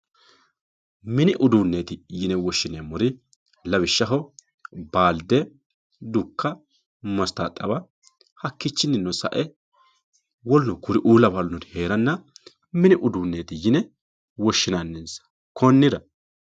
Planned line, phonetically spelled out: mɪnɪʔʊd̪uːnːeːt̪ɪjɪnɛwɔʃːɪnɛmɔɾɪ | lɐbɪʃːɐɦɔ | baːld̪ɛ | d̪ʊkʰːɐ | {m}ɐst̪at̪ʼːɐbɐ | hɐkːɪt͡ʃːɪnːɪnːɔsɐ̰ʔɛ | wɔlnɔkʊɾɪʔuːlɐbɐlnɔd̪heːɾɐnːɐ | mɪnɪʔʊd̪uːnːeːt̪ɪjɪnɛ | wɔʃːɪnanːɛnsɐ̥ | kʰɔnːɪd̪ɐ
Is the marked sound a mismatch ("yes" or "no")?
no